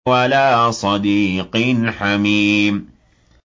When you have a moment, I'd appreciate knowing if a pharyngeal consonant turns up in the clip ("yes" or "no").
yes